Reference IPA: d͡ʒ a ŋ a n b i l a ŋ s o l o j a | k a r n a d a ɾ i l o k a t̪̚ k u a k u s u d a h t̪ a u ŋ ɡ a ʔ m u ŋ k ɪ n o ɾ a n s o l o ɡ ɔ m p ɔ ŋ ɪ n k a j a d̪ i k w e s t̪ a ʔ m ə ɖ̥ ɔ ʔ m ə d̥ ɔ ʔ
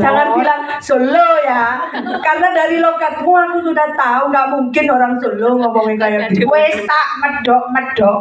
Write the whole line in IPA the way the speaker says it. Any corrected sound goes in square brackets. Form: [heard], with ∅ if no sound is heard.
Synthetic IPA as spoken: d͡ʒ a ŋ a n b i l a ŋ s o l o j a | k a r n a d a ɾ i l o k a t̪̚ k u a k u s u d a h t̪ a u ŋ ɡ a ʔ m u ŋ k ɪ n o ɾ a [ŋ] s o l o [ŋ] ɔ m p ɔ ŋ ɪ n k a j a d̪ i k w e s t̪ a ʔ m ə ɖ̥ ɔ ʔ m ə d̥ ɔ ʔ